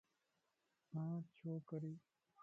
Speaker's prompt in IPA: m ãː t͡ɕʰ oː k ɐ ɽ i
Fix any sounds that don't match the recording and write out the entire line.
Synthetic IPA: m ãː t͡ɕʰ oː k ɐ ɾ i